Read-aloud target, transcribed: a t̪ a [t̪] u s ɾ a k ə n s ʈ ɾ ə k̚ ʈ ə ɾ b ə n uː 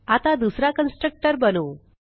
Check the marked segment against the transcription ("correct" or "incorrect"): incorrect